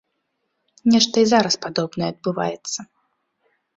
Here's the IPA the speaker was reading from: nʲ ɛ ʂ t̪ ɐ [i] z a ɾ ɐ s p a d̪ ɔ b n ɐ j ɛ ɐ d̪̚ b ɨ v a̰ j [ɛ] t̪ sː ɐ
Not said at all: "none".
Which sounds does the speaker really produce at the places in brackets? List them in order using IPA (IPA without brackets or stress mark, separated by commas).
i, ɛ